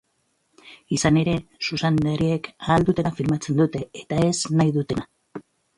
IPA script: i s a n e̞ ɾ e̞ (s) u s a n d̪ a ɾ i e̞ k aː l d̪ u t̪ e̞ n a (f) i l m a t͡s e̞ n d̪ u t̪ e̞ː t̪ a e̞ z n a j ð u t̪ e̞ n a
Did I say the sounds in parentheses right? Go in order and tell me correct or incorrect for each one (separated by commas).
correct, correct